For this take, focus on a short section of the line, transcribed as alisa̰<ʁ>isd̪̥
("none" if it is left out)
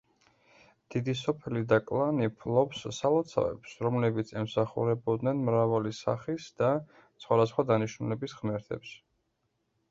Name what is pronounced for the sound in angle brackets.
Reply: χ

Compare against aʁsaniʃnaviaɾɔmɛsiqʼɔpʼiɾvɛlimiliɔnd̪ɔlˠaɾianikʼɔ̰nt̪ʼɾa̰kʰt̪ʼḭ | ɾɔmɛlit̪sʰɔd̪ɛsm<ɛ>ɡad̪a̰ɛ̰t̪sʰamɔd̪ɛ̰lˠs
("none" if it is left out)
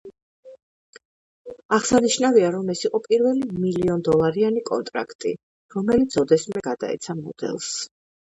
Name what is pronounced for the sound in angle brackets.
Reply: ɛ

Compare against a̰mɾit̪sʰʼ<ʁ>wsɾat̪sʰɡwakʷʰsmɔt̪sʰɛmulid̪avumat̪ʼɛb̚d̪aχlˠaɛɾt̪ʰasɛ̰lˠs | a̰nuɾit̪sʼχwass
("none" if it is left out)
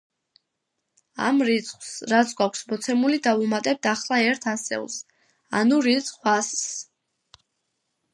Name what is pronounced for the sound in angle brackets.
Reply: χ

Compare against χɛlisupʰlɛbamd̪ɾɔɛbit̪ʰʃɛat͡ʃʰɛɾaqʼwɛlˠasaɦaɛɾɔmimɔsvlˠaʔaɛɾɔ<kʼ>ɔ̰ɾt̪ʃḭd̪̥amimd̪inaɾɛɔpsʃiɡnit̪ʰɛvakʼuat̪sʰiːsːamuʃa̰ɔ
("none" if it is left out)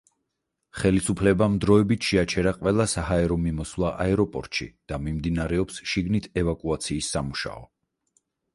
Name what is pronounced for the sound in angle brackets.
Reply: pʼ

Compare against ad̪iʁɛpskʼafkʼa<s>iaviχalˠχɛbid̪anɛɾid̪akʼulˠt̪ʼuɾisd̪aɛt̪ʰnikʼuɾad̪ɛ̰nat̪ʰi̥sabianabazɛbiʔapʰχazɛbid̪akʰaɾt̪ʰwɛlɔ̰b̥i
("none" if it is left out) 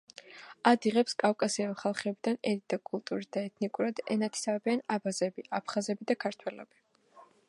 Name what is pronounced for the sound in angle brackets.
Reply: s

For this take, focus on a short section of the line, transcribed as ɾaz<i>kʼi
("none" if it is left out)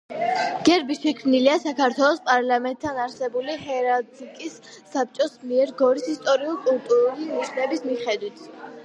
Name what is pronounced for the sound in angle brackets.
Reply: i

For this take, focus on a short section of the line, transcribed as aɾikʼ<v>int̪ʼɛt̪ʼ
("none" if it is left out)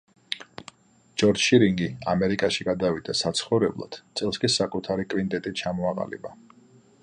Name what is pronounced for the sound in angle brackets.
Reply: v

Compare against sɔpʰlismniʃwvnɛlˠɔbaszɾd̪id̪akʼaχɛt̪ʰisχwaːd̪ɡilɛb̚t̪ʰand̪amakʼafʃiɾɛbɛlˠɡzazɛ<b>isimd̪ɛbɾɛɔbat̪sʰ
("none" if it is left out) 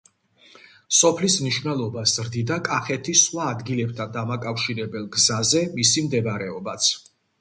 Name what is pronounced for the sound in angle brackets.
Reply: m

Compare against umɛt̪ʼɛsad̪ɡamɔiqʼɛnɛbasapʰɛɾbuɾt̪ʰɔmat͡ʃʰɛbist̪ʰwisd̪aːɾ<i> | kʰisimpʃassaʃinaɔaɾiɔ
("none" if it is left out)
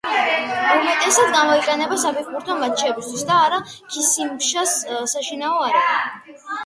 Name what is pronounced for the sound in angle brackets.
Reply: a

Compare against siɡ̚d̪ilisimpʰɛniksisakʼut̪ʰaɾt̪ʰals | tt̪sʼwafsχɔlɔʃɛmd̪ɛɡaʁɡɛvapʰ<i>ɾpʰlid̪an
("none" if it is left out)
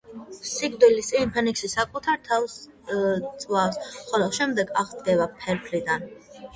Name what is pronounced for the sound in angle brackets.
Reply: ɛ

